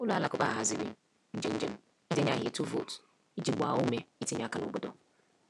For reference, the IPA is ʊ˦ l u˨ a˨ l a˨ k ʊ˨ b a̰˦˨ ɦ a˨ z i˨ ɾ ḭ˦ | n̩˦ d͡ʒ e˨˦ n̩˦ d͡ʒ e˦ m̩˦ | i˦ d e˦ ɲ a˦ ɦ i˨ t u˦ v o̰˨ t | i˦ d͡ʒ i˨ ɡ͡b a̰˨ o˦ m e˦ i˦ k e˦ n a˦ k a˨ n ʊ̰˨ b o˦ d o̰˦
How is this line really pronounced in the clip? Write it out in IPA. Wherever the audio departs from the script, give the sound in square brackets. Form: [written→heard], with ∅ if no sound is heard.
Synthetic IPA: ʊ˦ l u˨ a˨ l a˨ k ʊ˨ b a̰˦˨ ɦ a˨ z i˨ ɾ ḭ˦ | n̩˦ d͡ʒ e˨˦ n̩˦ d͡ʒ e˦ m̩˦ | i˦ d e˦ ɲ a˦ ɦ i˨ t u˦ v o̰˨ t | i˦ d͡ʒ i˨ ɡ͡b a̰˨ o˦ m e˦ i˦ [k→t] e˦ [n→ɲ] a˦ k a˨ n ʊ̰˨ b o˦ d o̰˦

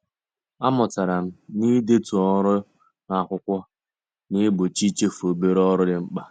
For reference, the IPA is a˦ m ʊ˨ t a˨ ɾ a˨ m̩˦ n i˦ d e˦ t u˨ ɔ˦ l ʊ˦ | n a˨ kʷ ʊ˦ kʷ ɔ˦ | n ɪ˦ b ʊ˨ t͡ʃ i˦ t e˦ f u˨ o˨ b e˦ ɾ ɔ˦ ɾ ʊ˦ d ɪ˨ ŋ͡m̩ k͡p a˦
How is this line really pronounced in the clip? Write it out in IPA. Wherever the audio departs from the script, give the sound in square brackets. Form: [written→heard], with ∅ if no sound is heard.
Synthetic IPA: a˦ m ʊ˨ t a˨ ɾ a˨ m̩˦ n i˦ d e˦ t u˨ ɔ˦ [l→ɾ] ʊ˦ | n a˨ kʷ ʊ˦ kʷ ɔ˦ | n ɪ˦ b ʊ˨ t͡ʃ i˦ [t→t͡ʃ] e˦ f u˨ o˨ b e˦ ɾ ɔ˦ ɾ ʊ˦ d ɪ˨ ŋ͡m̩ k͡p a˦

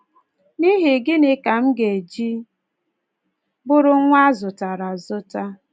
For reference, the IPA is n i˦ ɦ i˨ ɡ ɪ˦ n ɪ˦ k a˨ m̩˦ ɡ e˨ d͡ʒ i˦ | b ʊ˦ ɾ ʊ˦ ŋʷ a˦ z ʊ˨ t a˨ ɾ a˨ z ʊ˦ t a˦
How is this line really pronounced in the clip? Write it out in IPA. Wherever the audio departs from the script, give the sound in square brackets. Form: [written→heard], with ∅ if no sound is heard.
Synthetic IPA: n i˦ ɦ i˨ ɡ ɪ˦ n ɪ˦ k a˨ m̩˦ ɡ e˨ d͡ʒ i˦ | b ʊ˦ ɾ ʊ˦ ŋʷ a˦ z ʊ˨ t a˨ ɾ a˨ z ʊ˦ t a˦

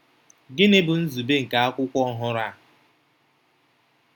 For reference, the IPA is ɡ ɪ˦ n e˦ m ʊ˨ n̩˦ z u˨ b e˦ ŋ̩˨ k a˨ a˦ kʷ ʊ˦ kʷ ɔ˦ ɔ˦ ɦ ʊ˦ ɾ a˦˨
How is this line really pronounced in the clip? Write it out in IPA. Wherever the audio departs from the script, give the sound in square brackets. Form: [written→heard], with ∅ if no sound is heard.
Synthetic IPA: ɡ ɪ˦ n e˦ [m→b] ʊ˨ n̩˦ z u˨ b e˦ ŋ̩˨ k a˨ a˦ kʷ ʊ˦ kʷ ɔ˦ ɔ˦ ɦ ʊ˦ ɾ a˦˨

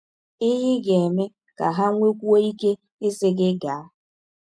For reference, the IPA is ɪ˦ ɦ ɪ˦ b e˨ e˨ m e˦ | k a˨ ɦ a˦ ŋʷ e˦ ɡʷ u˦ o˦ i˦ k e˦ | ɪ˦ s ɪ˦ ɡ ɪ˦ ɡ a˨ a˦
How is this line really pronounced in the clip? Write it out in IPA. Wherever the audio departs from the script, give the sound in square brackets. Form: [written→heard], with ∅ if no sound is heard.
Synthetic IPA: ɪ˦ ɦ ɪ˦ [b→ɡ] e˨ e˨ m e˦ | k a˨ ɦ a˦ ŋʷ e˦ [ɡʷ→kʷ] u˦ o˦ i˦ k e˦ | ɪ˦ s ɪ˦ ɡ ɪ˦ ɡ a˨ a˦

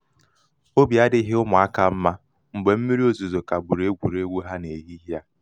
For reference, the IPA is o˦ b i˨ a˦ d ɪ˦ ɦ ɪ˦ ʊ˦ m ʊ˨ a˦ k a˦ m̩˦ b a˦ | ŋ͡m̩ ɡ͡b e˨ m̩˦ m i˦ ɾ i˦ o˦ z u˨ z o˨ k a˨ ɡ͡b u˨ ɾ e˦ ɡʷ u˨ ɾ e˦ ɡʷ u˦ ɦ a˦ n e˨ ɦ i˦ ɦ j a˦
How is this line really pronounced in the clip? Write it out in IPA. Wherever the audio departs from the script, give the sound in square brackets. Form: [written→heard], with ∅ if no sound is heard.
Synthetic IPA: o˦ b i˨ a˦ d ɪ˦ ɦ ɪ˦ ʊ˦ m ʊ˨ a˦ k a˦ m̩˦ [b→m] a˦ | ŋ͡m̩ ɡ͡b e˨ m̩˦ m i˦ ɾ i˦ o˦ z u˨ z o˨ k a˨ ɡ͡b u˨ ɾ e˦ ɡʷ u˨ ɾ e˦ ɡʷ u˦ ɦ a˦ n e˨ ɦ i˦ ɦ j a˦

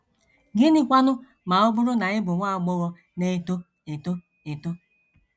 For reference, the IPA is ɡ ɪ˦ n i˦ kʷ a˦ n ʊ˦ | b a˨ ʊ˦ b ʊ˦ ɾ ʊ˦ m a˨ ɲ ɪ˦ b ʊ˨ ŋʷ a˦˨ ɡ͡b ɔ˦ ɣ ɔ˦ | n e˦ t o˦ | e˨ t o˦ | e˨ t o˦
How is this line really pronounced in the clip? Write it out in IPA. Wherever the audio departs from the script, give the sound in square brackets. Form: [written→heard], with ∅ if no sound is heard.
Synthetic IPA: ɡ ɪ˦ n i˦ kʷ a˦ n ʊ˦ | [b→m] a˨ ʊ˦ b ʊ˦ ɾ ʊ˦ [m→n] a˨ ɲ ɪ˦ b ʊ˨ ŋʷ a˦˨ ɡ͡b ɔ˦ ɣ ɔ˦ | n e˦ t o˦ | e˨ t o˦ | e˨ t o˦

